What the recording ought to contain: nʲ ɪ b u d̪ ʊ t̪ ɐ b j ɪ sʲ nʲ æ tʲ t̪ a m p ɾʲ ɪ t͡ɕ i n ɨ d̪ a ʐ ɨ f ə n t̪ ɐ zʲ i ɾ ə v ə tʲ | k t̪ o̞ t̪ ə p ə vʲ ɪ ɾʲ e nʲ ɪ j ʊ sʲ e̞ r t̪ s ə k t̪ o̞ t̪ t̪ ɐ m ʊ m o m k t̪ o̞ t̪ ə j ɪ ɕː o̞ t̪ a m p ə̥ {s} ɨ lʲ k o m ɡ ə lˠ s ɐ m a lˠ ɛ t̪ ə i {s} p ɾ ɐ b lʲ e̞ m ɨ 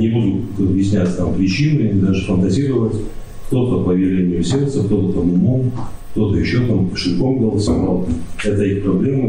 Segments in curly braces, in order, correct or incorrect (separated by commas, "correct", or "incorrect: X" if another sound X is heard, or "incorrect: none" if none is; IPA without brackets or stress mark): incorrect: ʂ, incorrect: x